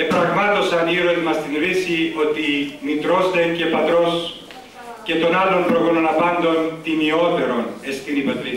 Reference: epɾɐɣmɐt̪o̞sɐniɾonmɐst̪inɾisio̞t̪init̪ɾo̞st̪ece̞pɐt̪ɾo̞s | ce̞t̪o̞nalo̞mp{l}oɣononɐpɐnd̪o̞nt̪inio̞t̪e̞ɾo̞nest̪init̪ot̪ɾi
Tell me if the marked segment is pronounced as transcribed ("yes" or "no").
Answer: no